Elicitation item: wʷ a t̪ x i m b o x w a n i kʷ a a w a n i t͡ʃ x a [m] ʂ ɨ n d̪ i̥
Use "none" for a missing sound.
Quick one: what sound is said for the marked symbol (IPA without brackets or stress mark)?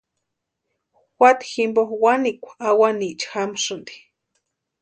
m